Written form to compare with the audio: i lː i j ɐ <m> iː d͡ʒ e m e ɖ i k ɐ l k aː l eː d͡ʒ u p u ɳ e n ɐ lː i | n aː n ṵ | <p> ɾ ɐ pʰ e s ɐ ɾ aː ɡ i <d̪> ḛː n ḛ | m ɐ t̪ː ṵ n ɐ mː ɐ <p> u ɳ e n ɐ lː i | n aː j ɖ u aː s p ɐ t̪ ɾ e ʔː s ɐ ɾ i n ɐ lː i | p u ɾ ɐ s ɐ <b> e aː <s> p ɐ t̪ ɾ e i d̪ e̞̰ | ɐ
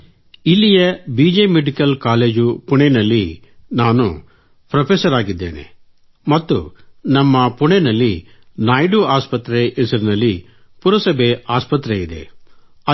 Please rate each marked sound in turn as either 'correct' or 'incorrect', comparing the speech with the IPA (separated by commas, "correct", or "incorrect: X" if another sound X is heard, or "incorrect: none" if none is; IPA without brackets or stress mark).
incorrect: b, correct, incorrect: d̪ː, correct, correct, correct